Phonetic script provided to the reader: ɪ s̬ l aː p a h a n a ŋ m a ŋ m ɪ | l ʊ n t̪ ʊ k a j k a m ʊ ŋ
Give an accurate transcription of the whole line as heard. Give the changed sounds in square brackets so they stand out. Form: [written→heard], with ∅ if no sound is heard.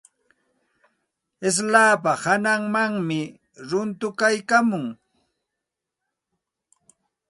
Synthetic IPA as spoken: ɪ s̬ l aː p a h a n a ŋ m a ŋ m ɪ | [l→ɾ] ʊ n t̪ ʊ k a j k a m ʊ ŋ